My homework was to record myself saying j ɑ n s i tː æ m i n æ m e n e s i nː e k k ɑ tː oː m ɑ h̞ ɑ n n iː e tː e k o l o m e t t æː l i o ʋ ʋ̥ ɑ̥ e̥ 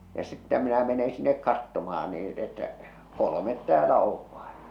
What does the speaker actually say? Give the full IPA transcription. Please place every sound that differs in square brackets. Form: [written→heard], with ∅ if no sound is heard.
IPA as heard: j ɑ [n→∅] s i tː æ m i n æ m e n e s i nː e k k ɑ tː [oː→o] m ɑ h̞ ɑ n n iː e tː [e→æ] k o l o m e t t æː l [i→æ] o ʋ ʋ̥ ɑ̥ e̥